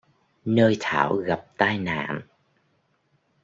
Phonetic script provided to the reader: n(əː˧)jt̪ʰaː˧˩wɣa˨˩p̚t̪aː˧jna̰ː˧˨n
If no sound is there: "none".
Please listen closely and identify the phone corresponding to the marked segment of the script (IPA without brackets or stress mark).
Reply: əː˧